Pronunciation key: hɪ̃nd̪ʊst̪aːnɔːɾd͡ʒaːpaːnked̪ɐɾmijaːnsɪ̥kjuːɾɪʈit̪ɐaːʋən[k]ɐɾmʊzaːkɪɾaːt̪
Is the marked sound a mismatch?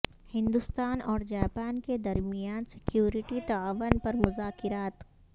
yes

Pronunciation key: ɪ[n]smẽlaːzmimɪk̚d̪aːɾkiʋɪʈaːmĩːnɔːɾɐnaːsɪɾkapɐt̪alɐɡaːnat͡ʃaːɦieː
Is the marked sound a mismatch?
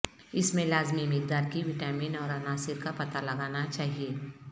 yes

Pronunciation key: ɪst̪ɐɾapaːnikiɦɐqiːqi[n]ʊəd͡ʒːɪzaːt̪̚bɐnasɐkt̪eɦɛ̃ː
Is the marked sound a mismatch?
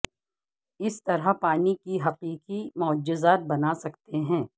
yes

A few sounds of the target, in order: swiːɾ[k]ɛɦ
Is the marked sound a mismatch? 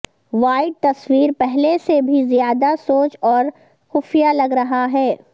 yes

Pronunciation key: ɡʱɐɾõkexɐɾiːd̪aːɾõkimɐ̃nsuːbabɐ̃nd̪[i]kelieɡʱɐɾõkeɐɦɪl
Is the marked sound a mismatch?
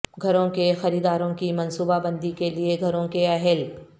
no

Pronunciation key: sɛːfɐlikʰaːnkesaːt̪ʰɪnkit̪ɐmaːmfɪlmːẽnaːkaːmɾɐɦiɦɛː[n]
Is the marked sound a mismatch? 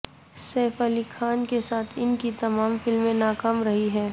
yes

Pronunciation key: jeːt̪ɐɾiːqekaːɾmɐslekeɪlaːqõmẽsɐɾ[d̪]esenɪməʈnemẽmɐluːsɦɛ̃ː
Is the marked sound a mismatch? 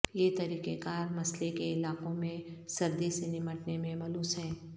no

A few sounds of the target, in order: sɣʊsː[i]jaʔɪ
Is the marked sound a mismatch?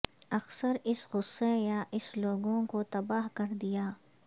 yes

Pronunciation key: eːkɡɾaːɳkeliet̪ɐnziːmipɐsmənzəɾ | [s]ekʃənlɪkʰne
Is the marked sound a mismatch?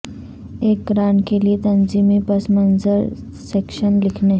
no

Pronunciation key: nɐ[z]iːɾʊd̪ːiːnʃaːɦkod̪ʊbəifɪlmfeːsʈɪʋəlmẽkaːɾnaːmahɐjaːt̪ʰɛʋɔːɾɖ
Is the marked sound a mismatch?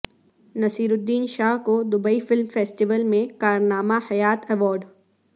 yes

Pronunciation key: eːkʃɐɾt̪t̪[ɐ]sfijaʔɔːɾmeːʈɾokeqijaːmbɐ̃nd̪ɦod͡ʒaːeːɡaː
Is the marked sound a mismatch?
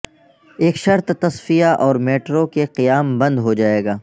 no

